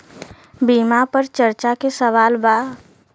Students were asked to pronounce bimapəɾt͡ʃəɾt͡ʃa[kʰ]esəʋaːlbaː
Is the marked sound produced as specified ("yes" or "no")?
no